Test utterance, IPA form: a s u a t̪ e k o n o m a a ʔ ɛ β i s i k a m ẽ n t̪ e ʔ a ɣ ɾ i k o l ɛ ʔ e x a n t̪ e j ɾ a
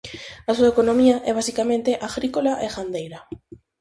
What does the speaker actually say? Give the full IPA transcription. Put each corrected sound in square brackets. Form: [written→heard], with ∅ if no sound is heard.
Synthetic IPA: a s u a [t̪→∅] e k o n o m [a→i] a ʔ ɛ β [i→a] s i k a m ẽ n t̪ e ʔ a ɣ ɾ i k o l [ɛ→a] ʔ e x a n [t̪→d̪] e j ɾ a